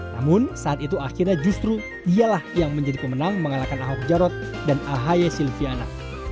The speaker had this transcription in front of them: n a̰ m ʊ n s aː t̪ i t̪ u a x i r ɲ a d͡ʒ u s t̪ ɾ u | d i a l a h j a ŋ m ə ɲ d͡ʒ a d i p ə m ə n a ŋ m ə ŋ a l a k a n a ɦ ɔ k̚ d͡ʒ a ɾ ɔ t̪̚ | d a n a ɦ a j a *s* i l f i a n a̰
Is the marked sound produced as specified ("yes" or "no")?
yes